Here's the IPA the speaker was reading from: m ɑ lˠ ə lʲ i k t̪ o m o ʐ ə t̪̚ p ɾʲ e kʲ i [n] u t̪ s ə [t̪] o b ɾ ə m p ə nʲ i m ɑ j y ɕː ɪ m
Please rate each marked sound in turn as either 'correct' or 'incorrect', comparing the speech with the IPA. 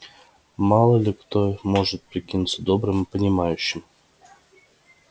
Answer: correct, incorrect

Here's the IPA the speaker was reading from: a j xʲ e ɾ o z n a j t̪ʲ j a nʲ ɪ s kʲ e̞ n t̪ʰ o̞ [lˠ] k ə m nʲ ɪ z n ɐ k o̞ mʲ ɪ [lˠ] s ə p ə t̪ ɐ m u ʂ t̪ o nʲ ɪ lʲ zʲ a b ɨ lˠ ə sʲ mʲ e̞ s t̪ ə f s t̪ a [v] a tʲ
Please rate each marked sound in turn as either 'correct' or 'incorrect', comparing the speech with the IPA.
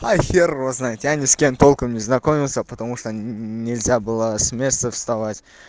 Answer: correct, correct, correct

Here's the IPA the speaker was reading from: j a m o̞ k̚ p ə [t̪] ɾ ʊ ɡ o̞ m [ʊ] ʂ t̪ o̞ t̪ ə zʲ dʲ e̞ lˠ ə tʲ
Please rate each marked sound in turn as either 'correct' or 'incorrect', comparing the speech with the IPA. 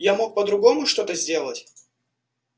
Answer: incorrect, correct

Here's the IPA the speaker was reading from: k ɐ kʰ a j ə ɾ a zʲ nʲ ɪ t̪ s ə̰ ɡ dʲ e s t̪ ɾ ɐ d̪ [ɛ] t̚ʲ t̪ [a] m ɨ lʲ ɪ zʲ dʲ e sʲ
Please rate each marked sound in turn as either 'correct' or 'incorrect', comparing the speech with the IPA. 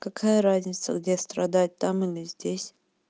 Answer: incorrect, correct

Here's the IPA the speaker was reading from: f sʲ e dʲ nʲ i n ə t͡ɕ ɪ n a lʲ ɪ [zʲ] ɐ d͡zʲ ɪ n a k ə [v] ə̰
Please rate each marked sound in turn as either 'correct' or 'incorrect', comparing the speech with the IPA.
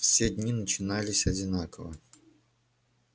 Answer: incorrect, correct

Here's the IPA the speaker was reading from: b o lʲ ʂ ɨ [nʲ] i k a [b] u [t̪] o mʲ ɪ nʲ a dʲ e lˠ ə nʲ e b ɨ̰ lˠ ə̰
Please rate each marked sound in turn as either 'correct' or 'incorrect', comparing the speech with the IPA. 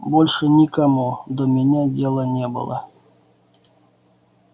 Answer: correct, incorrect, incorrect

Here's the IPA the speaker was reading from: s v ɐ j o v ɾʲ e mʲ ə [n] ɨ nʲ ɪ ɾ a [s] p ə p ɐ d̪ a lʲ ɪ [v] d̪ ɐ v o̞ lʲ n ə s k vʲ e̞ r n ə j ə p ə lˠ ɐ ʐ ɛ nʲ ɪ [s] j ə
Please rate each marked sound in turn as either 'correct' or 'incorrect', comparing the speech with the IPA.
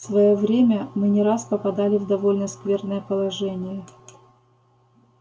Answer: incorrect, correct, correct, incorrect

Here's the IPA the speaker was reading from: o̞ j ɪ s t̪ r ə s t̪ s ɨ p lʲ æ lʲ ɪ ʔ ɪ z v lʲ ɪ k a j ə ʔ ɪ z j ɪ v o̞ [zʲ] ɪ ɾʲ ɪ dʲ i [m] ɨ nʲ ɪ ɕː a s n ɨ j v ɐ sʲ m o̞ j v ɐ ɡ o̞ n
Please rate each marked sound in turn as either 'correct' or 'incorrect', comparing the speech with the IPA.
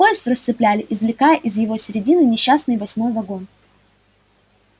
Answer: incorrect, incorrect

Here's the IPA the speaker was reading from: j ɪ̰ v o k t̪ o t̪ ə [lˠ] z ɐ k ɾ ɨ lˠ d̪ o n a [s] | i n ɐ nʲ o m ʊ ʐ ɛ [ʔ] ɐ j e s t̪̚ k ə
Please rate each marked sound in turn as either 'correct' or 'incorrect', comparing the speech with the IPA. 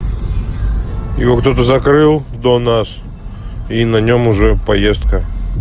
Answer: incorrect, correct, incorrect

